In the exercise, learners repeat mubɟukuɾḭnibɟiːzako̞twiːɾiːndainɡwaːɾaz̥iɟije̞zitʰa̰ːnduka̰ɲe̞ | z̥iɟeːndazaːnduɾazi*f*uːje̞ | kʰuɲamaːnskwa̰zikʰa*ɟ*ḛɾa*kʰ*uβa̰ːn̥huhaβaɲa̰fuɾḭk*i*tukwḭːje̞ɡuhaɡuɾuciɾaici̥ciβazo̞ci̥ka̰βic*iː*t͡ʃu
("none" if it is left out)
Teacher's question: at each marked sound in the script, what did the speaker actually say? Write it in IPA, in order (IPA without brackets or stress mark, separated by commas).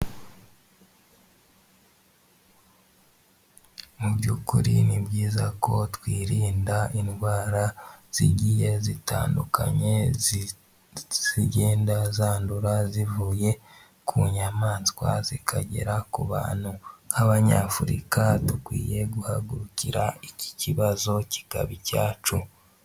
v, ɟ, k, a, aː